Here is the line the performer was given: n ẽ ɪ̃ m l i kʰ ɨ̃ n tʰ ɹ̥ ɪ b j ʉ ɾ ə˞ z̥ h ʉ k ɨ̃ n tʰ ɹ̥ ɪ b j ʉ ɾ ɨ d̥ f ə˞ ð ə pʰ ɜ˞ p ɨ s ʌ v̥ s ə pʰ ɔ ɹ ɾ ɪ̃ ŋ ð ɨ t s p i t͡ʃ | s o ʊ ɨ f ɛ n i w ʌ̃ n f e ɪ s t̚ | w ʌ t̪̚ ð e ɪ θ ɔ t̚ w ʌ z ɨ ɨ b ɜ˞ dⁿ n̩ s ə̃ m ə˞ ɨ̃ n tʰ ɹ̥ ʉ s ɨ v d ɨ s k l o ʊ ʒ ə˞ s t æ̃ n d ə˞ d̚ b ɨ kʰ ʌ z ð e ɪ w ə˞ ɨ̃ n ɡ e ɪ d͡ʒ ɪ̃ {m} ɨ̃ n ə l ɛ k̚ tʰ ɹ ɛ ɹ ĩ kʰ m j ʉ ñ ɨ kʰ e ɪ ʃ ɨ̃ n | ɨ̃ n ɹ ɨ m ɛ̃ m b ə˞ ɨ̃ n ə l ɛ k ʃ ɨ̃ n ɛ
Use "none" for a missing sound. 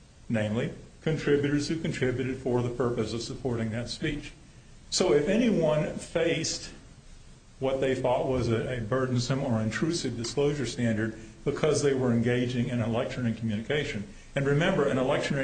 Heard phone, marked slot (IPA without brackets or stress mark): ŋ